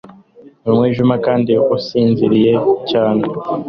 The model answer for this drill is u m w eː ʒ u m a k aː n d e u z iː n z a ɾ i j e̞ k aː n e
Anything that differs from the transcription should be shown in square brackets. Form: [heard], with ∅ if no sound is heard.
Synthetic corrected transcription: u m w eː ʒ u m a k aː n d [i] u [s] iː n z [i] ɾ i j e̞ [c] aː n e